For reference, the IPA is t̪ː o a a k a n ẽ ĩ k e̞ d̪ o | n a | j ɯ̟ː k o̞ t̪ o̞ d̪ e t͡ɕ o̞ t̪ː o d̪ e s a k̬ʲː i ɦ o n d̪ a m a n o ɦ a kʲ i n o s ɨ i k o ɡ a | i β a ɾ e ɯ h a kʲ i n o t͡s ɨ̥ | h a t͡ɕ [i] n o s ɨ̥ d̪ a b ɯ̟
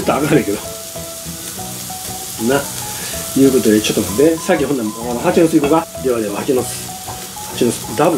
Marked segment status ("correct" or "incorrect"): correct